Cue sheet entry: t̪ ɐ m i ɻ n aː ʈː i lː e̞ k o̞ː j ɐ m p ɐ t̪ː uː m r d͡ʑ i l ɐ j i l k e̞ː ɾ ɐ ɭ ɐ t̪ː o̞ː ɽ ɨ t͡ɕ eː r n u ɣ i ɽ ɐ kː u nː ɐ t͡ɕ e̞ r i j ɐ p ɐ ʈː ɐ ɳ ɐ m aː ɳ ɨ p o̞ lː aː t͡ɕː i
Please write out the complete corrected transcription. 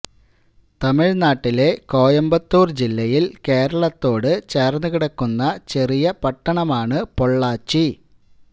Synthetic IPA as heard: t̪ ɐ m i ɻ n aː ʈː i l e̞ k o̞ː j ɐ m b ɐ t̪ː uː r d͡ʑ i lː ɐ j i l k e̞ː ɾ ɐ ɭ ɐ t̪ː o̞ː ɽ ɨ t͡ɕ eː r n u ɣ i ɽ ɐ kː u nː ɐ t͡ɕ e̞ r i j ɐ p ɐ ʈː ɐ ɳ ɐ m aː ɳ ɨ p o̞ ɭː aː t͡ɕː i

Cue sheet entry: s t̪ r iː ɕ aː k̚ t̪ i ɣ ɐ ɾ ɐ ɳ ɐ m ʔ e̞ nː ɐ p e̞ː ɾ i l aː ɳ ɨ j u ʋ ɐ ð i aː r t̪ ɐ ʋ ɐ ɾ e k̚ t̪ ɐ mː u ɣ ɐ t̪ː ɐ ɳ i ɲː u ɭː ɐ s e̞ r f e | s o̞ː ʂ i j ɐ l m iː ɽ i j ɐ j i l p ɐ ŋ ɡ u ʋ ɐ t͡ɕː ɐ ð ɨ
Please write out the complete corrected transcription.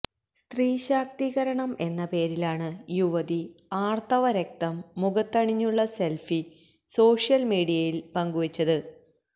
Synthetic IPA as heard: s t̪ r iː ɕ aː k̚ t̪ i ɣ ɐ ɾ ɐ ɳ ɐ m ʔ e̞ nː ɐ p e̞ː ɾ i l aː ɳ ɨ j u ʋ ɐ ð i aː r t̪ ɐ ʋ ɐ ɾ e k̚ t̪ ɐ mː u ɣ ɐ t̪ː ɐ ɳ i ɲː u ɭː ɐ s e̞ l f i | s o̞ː ʂ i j ɐ l m iː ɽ i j ɐ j i l p ɐ ŋ ɡ u ʋ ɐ t͡ɕː ɐ ð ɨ

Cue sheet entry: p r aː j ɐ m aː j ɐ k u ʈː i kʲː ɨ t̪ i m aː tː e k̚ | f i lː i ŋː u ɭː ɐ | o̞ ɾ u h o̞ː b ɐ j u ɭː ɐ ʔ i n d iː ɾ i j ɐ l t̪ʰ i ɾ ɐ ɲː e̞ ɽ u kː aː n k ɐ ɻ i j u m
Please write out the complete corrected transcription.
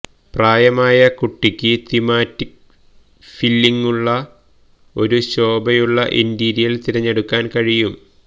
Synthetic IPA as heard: p r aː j ɐ m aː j ɐ k u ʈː i kʲː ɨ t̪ i m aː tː i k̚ | f i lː i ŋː u ɭː ɐ | o̞ ɾ u ɕ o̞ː b ɐ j u ɭː ɐ ʔ i n d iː ɾ i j ɐ l t̪ i ɾ ɐ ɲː e̞ ɽ u kː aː n k ɐ ɻ i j u m

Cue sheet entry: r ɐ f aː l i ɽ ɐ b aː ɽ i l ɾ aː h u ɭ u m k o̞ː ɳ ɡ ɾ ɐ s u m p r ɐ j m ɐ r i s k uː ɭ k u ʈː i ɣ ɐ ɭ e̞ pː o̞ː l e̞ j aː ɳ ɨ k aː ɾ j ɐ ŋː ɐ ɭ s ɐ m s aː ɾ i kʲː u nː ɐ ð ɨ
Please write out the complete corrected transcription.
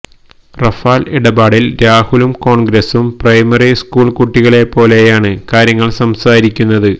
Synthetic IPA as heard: r ɐ f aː l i ɽ ɐ b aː ɽ i l ɾ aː h u l u m k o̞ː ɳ ɡ ɾ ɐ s u m p r ɐ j m ɐ r i s k uː ɭ k u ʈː i ɣ ɐ ɭ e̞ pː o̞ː l e̞ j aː ɳ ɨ k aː ɾ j ɐ ŋː ɐ ɭ s ɐ m s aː ɾ i kʲː u nː ɐ ð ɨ

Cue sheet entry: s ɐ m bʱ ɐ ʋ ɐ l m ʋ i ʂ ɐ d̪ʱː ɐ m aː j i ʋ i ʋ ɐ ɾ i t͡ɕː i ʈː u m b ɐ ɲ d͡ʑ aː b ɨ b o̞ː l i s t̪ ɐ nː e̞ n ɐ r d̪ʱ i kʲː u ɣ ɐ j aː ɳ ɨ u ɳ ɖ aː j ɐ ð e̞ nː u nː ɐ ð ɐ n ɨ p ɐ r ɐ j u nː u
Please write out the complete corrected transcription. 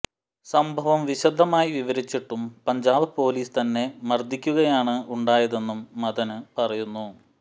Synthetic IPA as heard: s ɐ m bʱ ɐ ʋ ɐ m ʋ i ɕ ɐ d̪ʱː ɐ m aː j i ʋ i ʋ ɐ ɾ i t͡ɕː i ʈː u m p ɐ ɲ d͡ʑ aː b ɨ p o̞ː l iː s t̪ ɐ nː e̞ m ɐ r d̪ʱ i kʲː u ɣ ɐ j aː ɳ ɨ u ɳ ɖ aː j ɐ ð e̞ nː u mː ɐ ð ɐ n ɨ p ɐ r ɐ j u nː u

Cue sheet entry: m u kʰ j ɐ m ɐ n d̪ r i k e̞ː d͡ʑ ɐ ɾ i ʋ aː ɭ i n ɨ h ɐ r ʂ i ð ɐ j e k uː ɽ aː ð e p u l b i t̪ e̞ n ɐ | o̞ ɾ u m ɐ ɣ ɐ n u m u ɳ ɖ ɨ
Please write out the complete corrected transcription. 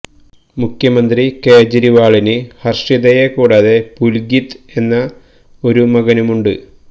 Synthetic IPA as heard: m u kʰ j ɐ m ɐ n d̪ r i k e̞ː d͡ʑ ɐ ɾ i ʋ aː ɭ i n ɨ h ɐ r ʂ i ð ɐ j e k uː ɽ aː ð e p u l ɡ i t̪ e̞ nː ɐ | o̞ ɾ u m ɐ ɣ ɐ n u m u ɳ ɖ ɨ

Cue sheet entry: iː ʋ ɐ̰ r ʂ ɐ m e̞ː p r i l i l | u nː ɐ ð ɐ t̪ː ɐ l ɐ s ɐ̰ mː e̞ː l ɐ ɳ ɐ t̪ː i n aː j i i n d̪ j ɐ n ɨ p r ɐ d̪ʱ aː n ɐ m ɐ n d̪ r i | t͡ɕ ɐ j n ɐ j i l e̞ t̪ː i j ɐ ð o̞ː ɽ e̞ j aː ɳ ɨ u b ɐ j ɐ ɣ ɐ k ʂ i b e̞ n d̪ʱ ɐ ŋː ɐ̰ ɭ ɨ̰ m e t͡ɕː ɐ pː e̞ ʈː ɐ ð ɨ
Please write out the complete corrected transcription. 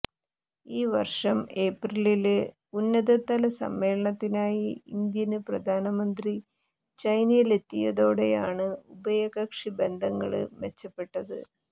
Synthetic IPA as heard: iː ʋ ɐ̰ r ʂ ɐ m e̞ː p r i l i l | u nː ɐ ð ɐ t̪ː ɐ l ɐ s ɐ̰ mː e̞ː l ɐ ɳ ɐ t̪ː i n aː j i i n d̪ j ɐ n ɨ p r ɐ d̪ʱ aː n ɐ m ɐ n d̪ r i | t͡ɕ ɐ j n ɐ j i l e̞ t̪ː i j ɐ ð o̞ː ɽ e̞ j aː ɳ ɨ u b ɐ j ɐ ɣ ɐ k ʂ i b e̞ n d̪ʱ ɐ ŋː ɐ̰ ɭ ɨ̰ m e t͡ɕː ɐ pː e̞ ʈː ɐ ð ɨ

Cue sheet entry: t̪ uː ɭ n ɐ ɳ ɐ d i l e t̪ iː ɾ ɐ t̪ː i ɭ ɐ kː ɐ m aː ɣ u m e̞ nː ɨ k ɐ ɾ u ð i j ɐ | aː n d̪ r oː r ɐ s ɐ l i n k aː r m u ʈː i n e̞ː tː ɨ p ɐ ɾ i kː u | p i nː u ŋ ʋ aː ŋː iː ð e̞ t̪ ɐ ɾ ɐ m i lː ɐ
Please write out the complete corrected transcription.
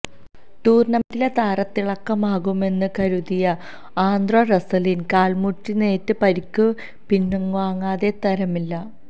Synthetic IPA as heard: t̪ uː r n ɐ m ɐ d i l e t̪ aː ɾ ɐ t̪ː i ɭ ɐ kː ɐ m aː ɣ u m e̞ nː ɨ k ɐ ɾ u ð i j ɐ | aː n d̪ r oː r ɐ s ɐ l i n k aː ɭ m u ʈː i n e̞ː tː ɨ p ɐ ɾ i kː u | p i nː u ŋ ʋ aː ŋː aː ð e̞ t̪ ɐ ɾ ɐ m i lː ɐ

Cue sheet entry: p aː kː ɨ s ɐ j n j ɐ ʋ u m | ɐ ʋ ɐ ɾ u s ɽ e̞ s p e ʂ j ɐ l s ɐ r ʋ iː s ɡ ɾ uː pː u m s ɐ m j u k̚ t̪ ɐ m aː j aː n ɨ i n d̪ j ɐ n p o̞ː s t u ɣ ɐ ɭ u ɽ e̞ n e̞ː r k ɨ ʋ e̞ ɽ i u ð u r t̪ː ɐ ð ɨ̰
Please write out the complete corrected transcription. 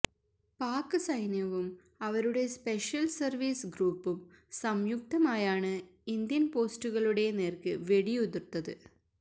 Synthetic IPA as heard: p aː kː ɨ s ɐ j n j ɐ ʋ u m | ɐ ʋ ɐ ɾ u ɽ e̞ s p e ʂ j ɐ l s ɐ r ʋ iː s ɡ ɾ uː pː u m s ɐ m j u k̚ t̪ ɐ m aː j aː ɳ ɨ i n d̪ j ɐ n p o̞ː s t u ɣ ɐ ɭ u ɽ e̞ n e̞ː r k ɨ ʋ e̞ ɽ i u ð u r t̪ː ɐ ð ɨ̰

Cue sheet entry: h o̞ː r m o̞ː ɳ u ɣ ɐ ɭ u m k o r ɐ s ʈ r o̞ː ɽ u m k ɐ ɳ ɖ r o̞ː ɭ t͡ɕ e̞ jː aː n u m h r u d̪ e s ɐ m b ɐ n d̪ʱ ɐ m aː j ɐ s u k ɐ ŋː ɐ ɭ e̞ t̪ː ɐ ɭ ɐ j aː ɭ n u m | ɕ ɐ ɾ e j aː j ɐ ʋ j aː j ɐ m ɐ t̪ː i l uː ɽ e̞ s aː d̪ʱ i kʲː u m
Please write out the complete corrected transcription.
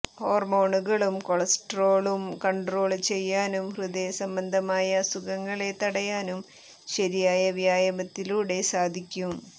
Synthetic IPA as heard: h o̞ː r m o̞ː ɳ u ɣ ɐ ɭ u m k o ɭ ɐ s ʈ r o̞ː ɭ u m k ɐ ɳ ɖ r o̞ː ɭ t͡ɕ e̞ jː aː n u m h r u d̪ e s ɐ m b ɐ n d̪ʱ ɐ m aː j ɐ s u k ɐ ŋː ɐ ɭ e̞ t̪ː ɐ ɽ ɐ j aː n u m | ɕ ɐ ɾ i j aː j ɐ ʋ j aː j ɐ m ɐ t̪ː i l uː ɽ e̞ s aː d̪ʱ i kʲː u m

